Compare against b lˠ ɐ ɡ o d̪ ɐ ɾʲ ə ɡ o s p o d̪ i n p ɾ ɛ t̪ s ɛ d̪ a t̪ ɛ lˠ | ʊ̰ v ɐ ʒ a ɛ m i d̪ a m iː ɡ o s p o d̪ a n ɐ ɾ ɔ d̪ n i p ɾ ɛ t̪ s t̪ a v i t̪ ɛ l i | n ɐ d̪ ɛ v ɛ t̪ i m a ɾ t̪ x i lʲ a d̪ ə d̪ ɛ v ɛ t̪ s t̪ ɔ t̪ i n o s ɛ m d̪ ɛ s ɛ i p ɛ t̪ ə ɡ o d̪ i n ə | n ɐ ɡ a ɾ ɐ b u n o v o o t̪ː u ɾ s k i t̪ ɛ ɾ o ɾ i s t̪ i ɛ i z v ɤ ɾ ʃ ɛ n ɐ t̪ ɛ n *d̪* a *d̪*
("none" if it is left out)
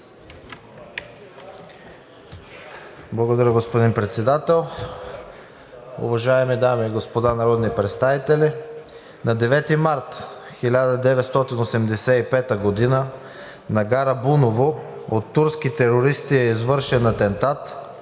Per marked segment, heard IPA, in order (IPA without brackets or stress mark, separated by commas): t̪, t̪